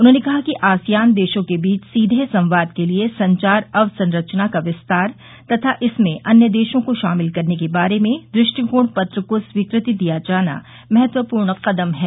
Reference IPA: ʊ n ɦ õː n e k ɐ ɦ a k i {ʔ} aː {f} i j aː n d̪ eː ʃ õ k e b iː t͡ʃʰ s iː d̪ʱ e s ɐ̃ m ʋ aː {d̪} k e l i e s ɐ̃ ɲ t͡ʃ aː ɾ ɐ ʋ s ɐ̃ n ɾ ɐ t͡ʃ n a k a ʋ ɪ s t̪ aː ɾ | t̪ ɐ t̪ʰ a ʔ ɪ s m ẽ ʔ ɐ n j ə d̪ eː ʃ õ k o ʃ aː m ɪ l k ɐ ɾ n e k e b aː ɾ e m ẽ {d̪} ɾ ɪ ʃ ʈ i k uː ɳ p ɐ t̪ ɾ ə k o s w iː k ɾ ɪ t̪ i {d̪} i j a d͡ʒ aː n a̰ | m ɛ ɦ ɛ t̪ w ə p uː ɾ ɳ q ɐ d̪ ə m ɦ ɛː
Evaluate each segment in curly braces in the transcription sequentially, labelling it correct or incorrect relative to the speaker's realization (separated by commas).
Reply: correct, incorrect, correct, correct, correct